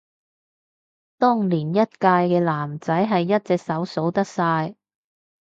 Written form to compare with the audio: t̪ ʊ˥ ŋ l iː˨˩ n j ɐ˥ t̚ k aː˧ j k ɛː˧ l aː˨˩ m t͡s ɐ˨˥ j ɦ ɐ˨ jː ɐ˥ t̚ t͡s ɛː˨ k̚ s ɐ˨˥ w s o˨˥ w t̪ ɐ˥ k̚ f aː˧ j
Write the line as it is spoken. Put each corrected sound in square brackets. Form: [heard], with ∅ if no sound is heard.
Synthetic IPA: t̪ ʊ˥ ŋ l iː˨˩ n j ɐ˥ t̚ k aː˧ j k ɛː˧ l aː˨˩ m t͡s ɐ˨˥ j ɦ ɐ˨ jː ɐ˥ t̚ t͡s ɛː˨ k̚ s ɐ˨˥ w s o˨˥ w t̪ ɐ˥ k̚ [s] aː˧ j